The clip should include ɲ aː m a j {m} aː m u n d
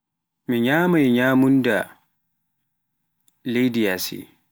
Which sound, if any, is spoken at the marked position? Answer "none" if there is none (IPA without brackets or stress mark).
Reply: ɲ